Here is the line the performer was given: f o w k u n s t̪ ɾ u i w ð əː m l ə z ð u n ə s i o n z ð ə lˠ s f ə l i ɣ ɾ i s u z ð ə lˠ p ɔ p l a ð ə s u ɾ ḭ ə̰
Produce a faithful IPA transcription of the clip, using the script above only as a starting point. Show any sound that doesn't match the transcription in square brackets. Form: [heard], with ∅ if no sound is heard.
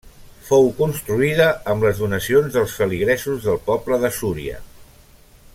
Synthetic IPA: f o w k u n s t̪ ɾ u i [∅] ð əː m l ə z ð u n ə s i o n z ð ə lˠ s f ə l i ɣ ɾ [ɛ] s u z ð ə lˠ p ɔ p l [ə] ð ə s u ɾ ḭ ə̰

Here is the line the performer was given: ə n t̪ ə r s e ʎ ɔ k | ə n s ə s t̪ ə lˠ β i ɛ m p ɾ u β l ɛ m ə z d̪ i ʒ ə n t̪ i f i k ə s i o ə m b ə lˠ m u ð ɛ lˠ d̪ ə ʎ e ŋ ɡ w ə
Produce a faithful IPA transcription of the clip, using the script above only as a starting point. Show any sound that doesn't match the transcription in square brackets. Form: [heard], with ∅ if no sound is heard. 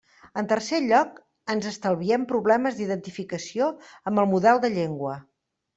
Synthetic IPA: ə n t̪ ə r s e ʎ ɔ k | ə n [z] ə s t̪ ə lˠ β i ɛ m p ɾ u β l ɛ m ə z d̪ i [ð] ə n t̪ i f i k ə s i o ə m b ə lˠ m u ð ɛ lˠ d̪ ə ʎ e ŋ ɡ w ə

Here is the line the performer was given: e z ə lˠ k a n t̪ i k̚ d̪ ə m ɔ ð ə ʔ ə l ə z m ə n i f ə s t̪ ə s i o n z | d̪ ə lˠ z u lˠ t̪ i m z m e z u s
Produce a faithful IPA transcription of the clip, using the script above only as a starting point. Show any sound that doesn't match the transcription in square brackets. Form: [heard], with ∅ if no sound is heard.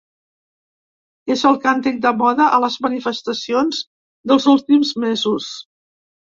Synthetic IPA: e z ə lˠ k a n t̪ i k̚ d̪ ə m ɔ ð ə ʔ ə l ə z m ə n i f ə s t̪ ə s i o n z | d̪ ə lˠ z u lˠ t̪ i m z m e z u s

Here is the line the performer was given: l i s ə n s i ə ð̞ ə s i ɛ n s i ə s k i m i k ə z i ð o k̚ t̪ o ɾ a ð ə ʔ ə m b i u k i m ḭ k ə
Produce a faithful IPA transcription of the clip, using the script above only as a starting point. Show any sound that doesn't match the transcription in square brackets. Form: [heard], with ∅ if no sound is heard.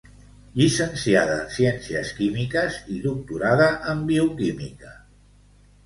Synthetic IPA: [ʎ] i s ə n s i [a] ð̞ ə s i ɛ n s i ə s k i m i k ə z i ð [u] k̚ t̪ [u] ɾ a ð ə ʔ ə m b i u k i m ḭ k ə

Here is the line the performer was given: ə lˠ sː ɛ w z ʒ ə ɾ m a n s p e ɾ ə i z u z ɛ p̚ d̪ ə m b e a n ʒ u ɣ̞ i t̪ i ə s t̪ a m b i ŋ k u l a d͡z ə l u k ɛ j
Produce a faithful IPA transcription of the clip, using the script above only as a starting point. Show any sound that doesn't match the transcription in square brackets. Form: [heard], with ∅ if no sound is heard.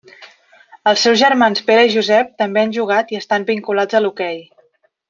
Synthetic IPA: ə lˠ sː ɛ w z ʒ ə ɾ m a n s p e ɾ ə i [ʒ] u z ɛ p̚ [t̪] ə m b e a n ʒ u ɣ̞ [a] t̪ i ə s t̪ a m b i ŋ k u l a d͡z ə l u k ɛ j

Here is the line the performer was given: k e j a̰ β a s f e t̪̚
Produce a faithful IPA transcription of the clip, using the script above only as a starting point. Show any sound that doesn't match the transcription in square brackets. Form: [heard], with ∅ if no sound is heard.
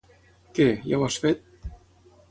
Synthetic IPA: k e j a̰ [w] a s f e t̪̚

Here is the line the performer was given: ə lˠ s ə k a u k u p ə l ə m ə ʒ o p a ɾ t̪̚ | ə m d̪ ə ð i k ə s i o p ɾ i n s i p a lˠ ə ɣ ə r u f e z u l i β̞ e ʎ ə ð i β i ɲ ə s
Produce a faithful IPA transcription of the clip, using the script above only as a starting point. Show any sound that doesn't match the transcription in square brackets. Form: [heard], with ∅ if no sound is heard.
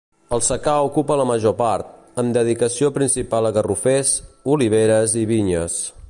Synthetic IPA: ə lˠ s ə k a u k u p ə l ə m ə ʒ o p a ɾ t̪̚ | ə m d̪ ə ð i k ə s i o p ɾ i n s i p a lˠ ə ɣ ə r u f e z u l i β̞ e [ɾ] ə [z] i β i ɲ ə s

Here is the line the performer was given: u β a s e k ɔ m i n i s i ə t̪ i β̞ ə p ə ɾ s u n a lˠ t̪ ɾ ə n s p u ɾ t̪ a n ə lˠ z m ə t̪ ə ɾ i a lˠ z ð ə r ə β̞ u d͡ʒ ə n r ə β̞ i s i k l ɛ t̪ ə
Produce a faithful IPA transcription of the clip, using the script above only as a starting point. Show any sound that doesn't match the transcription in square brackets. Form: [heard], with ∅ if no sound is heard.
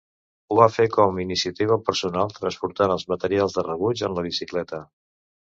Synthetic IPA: u β a [f] e k ɔ m i n i s i ə t̪ i β̞ ə p ə ɾ s u n a lˠ t̪ ɾ ə n s p u ɾ t̪ a n ə lˠ z m ə t̪ ə ɾ i a lˠ z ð ə r ə β̞ u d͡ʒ ə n [l] ə β̞ i s i k l ɛ t̪ ə

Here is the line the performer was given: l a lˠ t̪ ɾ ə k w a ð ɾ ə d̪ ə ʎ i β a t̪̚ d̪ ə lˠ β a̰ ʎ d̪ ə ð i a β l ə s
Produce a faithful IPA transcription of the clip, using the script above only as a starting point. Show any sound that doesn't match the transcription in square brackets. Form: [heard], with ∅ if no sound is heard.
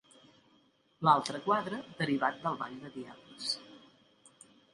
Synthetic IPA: l a lˠ t̪ ɾ ə k w a ð ɾ ə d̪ ə [ɾ] i β a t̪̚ d̪ ə lˠ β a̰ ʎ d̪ ə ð i a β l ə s

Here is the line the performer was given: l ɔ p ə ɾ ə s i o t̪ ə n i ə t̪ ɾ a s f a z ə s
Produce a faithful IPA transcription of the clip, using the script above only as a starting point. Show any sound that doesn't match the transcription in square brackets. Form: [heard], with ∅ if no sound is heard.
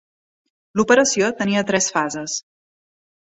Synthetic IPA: l [u] p ə ɾ ə s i o t̪ ə n i ə t̪ ɾ [ɛ] s f a z ə s

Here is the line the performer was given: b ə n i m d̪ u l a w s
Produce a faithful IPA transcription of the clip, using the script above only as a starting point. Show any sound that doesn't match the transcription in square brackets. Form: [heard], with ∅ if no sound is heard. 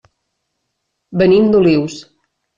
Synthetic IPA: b ə n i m d̪ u l [i] w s

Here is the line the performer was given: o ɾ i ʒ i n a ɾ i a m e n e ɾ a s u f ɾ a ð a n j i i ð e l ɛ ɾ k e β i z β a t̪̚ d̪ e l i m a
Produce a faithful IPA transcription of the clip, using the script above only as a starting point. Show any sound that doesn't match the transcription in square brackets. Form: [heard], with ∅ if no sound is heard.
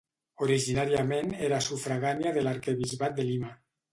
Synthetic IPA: o ɾ i ʒ i n a ɾ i a m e n e ɾ a s u f ɾ a [ɣ] a n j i [a] ð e l [a] ɾ k e β i z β a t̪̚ d̪ e l i m a

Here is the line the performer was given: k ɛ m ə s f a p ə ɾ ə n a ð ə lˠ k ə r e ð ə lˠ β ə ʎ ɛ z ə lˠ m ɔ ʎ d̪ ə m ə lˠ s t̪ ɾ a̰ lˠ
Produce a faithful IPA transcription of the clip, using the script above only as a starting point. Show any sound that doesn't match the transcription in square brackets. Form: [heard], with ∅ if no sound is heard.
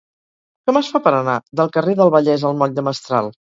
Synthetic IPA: k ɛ m ə s f a p ə ɾ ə n a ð ə lˠ k ə r e ð ə lˠ β ə ʎ ɛ z ə lˠ m ɔ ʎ d̪ ə m ə [∅] s t̪ ɾ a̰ lˠ

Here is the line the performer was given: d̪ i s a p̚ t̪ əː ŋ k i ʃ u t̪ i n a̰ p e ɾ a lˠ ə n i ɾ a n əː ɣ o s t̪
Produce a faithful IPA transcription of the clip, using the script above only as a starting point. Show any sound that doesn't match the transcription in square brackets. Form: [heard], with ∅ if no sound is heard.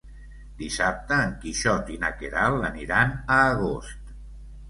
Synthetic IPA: d̪ i s a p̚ t̪ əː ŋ k i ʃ [ɔ] t̪ i n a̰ [k] e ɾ a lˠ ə n i ɾ a n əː ɣ o s t̪

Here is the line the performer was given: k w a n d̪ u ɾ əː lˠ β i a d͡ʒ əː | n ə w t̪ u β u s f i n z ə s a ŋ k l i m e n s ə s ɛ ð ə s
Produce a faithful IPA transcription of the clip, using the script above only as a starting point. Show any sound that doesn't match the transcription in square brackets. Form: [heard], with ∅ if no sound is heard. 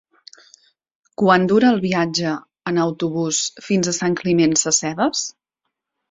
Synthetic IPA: k w a n d̪ u ɾ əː lˠ β i a d͡ʒ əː | n ə w t̪ u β u s f i n z ə s a ŋ k l i m e n s ə s ɛ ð ə s

